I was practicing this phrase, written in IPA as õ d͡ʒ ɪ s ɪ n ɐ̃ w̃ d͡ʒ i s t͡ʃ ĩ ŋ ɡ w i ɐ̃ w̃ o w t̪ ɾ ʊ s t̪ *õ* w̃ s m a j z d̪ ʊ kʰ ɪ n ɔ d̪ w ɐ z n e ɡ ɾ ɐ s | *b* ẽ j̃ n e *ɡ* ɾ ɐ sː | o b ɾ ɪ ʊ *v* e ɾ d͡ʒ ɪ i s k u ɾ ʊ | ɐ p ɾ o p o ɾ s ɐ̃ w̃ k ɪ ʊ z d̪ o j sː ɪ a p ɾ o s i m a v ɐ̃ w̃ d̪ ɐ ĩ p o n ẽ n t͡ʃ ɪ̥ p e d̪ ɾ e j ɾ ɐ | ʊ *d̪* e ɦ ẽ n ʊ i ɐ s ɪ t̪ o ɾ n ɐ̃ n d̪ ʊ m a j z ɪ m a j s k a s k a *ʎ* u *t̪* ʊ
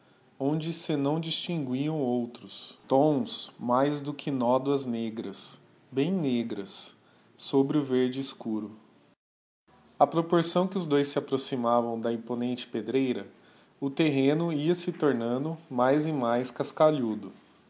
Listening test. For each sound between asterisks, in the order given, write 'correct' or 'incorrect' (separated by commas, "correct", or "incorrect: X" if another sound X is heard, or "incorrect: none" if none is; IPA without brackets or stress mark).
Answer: correct, correct, correct, correct, incorrect: t̪, correct, incorrect: d̪